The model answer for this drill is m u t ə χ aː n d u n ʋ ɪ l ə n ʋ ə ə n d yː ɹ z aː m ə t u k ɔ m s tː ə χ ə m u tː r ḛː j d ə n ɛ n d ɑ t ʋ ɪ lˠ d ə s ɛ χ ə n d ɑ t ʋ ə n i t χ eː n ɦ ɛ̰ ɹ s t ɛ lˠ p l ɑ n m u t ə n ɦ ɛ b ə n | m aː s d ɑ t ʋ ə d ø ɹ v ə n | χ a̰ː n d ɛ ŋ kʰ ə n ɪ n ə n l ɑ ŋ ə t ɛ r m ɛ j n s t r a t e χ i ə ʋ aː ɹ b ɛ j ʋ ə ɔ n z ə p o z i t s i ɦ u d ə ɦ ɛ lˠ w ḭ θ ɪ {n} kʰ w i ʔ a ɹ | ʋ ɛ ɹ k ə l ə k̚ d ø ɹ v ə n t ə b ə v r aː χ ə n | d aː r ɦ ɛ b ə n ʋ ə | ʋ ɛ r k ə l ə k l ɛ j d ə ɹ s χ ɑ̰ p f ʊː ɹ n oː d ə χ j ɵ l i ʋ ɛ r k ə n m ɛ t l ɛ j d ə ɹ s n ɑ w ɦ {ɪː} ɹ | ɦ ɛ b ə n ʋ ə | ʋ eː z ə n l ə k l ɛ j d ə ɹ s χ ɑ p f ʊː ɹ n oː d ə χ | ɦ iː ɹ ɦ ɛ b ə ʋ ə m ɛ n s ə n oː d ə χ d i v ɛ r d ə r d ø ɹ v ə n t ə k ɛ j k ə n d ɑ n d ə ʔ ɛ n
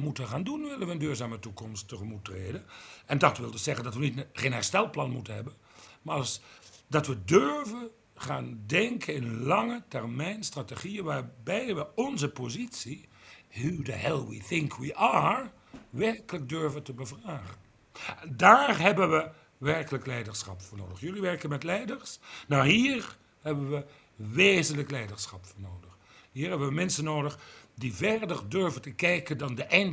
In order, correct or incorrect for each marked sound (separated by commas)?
incorrect, incorrect